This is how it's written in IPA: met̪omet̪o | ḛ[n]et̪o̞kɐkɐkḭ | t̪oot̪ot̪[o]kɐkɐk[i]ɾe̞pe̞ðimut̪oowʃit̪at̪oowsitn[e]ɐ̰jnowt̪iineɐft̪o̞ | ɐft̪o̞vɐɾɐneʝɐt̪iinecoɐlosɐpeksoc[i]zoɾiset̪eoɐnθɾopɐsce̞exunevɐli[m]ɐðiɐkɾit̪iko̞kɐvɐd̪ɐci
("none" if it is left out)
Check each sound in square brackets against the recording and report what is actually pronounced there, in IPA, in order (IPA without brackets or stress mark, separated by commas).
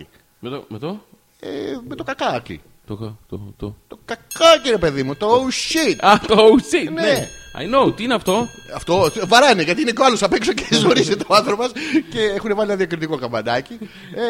m, o, i, e, e, n